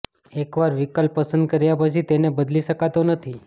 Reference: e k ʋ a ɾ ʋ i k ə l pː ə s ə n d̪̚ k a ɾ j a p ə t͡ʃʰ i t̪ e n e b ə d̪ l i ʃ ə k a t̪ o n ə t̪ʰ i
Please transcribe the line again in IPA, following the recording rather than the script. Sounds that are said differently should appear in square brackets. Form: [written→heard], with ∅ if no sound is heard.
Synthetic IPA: e k ʋ a ɾ ʋ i k ə l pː ə s ə n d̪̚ k [a→ə] ɾ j a p ə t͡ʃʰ i t̪ e n e b ə d̪ l i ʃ ə k a t̪ o n ə t̪ʰ i